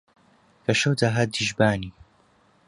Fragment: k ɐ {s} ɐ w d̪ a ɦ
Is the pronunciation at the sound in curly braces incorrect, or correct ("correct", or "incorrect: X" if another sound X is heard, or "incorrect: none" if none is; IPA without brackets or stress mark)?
incorrect: ʃ